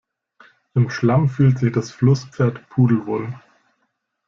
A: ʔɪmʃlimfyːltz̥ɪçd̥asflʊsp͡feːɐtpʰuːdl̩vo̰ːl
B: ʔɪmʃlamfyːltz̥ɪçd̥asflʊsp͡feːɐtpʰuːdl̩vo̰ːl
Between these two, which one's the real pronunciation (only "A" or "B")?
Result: B